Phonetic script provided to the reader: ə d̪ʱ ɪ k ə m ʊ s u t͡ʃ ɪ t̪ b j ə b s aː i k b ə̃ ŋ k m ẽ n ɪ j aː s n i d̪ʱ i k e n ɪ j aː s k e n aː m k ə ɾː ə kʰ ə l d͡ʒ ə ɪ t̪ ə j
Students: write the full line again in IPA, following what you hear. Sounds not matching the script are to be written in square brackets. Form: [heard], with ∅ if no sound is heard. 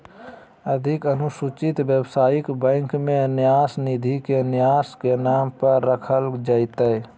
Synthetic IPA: ə d̪ʱ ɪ k ə [n] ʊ s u t͡ʃ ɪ t̪ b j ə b s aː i k b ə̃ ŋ k m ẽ n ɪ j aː s n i d̪ʱ i k e n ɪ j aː s k e n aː m [p] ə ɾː ə kʰ ə l d͡ʒ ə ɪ t̪ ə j